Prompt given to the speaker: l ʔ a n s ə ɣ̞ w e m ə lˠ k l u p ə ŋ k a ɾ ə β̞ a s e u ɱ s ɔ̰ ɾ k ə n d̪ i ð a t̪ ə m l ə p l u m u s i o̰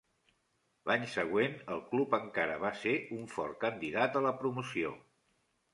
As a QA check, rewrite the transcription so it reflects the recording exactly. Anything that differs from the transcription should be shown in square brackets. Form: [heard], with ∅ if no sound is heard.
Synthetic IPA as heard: l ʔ a [ɲ] s ə ɣ̞ w e [n] ə lˠ k l u p ə ŋ k a ɾ ə β̞ a s e u ɱ [f] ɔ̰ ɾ k ə n d̪ i ð a t̪ ə [∅] l ə p [ɾ] u m u s i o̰